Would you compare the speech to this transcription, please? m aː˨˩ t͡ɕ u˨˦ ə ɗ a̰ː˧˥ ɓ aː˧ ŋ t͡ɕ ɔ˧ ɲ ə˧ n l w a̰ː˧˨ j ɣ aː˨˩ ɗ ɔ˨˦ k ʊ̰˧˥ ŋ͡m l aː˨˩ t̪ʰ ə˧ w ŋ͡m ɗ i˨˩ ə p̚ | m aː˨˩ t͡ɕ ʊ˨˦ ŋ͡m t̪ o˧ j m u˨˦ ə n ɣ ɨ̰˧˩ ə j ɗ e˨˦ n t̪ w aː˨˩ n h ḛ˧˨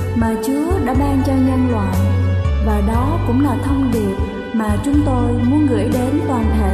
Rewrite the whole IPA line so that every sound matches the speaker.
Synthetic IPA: m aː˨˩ t͡ɕ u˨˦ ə ɗ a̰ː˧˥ ɓ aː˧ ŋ t͡ɕ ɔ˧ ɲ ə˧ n l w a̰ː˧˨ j v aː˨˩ ɗ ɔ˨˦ k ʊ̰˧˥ ŋ͡m l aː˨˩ t̪ʰ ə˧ w ŋ͡m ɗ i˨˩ ə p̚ | m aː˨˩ t͡ɕ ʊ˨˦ ŋ͡m t̪ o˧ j m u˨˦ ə n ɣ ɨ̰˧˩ ə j ɗ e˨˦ n t̪ w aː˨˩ n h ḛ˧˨